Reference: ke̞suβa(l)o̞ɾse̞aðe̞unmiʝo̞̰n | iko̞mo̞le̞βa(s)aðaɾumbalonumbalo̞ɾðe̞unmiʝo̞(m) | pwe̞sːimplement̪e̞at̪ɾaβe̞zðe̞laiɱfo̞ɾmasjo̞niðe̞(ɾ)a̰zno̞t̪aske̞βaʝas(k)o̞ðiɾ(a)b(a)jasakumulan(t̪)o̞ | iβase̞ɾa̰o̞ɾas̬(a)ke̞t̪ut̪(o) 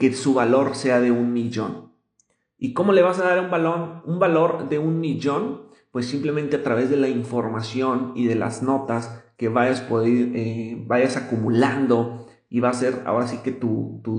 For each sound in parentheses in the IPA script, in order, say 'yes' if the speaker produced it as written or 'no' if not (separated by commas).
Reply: yes, yes, no, no, no, no, yes, no, no, no